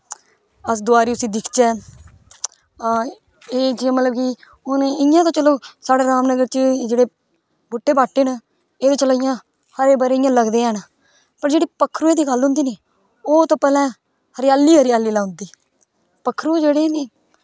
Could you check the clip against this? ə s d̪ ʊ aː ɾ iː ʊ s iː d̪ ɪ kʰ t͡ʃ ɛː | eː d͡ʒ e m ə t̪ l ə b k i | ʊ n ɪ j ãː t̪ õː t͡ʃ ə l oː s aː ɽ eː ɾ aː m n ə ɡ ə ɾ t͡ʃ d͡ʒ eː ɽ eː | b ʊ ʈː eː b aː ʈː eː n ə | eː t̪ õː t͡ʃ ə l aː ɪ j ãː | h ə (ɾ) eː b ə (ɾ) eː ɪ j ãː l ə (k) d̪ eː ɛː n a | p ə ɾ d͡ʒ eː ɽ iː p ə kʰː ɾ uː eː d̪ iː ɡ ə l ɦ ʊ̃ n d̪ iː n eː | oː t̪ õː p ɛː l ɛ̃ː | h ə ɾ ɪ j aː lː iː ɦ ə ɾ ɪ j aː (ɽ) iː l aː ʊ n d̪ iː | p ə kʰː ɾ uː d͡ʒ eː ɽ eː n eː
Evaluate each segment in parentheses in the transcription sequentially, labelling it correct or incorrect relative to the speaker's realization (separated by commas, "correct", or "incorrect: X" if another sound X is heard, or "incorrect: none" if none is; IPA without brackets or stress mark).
correct, correct, incorrect: ɡ, incorrect: l